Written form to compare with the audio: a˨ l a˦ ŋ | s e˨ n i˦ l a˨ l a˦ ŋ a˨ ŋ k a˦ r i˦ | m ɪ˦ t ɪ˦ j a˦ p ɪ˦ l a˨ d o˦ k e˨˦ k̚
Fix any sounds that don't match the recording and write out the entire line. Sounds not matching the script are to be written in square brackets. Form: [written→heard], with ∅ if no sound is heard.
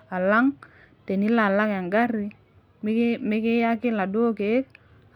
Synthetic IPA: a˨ l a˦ ŋ | [s→t] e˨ n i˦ l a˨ l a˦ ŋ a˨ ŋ [k→ɡ] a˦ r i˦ | m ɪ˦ [t→k] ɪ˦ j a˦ [p→k] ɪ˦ l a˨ d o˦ k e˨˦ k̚